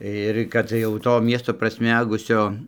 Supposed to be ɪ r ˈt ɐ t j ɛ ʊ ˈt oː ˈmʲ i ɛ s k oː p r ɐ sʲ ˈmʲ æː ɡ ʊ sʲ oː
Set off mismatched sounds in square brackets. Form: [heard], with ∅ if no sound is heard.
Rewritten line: ɪ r [ˈk] ɐ t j ɛ ʊ ˈt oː ˈmʲ i ɛ s [t] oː p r ɐ sʲ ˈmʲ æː ɡ ʊ sʲ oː